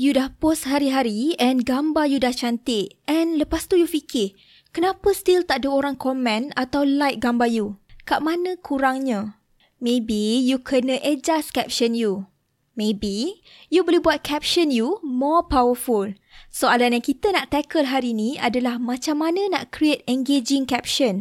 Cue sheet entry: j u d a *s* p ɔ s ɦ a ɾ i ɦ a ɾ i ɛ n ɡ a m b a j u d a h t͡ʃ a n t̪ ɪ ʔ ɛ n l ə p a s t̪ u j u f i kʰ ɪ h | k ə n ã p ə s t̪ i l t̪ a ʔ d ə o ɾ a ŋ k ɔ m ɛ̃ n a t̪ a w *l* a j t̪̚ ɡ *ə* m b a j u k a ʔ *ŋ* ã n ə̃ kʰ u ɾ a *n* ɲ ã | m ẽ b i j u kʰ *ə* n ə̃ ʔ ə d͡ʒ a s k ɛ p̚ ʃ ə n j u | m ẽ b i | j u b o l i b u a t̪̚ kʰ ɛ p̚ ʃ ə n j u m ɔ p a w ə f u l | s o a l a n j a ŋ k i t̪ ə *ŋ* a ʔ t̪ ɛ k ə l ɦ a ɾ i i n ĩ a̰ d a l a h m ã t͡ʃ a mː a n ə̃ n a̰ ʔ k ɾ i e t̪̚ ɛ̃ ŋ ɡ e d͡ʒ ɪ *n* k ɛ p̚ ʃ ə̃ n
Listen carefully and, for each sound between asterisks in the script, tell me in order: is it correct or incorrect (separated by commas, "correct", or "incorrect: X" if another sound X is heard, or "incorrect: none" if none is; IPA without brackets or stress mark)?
incorrect: h, correct, incorrect: a, incorrect: m, incorrect: ŋ, correct, incorrect: n, incorrect: ŋ